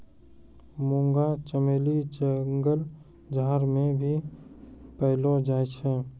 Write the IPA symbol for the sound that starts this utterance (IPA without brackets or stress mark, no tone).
m